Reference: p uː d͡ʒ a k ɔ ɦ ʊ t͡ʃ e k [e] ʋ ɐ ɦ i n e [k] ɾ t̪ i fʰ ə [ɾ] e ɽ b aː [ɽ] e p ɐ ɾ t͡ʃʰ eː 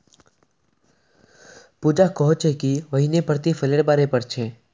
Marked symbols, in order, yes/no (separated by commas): no, no, no, no